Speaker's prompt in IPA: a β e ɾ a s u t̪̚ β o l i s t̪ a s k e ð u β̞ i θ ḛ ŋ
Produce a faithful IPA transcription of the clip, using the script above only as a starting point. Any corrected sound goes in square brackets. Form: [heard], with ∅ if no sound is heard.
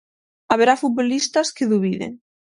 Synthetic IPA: a β e ɾ a [f] u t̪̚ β o l i s t̪ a s k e ð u β̞ i [ð] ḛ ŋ